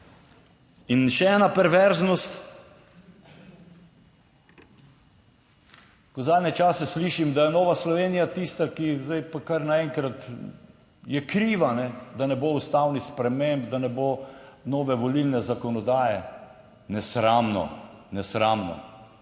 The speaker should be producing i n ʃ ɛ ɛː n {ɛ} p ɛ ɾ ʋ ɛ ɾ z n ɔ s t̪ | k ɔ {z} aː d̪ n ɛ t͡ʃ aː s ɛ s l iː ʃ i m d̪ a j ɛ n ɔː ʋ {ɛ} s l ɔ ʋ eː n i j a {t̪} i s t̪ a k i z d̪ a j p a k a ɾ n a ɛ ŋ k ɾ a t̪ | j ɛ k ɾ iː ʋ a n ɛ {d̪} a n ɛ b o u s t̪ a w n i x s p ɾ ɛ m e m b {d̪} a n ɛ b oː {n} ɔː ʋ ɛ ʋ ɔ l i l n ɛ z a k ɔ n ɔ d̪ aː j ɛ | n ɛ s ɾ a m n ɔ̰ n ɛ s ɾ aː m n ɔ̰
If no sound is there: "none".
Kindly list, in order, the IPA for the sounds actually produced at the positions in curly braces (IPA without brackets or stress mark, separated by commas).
a, z, a, t̪, d̪, d̪, n